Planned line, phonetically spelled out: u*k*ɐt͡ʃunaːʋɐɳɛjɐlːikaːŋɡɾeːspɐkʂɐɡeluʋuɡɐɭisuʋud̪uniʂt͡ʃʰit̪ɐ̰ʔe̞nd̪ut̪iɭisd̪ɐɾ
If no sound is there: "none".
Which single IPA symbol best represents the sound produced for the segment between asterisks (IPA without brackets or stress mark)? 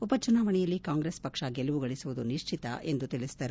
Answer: p